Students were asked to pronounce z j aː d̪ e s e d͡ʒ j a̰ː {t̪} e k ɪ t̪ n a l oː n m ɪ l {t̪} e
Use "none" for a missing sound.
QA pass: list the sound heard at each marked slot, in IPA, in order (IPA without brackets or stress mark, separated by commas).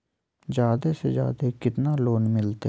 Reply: d̪, t̪